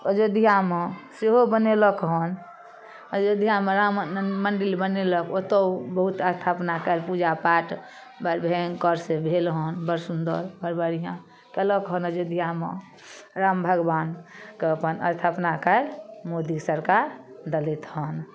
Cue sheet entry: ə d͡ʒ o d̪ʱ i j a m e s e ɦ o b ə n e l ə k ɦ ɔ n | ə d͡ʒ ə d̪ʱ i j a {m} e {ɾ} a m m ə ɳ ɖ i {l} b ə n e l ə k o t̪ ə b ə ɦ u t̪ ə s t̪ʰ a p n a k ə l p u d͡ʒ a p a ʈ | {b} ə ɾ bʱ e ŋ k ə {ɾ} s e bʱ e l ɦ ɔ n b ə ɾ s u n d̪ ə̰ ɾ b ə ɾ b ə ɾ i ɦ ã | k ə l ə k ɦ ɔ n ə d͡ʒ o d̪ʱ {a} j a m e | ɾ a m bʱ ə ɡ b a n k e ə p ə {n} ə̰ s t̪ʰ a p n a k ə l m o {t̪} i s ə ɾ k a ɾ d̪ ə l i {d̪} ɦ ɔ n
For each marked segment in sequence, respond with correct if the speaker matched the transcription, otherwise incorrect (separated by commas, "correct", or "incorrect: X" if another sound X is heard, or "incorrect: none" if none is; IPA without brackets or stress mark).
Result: correct, correct, correct, correct, correct, incorrect: i, correct, incorrect: d̪, incorrect: t̪